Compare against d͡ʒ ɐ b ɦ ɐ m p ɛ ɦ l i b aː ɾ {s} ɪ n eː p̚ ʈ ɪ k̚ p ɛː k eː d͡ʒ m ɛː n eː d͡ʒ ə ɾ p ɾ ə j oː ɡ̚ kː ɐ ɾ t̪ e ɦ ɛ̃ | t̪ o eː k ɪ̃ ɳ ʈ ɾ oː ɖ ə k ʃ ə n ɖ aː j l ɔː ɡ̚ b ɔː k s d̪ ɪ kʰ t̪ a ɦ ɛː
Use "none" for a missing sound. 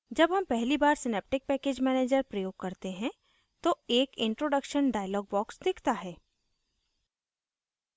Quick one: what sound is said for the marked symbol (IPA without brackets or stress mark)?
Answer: s